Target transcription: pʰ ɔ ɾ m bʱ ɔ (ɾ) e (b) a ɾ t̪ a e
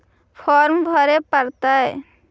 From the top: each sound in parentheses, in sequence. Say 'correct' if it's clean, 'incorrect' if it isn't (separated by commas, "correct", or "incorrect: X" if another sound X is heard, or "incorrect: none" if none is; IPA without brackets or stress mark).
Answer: correct, incorrect: p